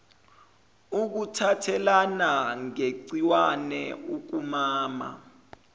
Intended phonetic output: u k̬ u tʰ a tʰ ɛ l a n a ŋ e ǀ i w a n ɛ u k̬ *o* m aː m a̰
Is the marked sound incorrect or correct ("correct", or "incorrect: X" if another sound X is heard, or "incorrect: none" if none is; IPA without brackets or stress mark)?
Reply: incorrect: u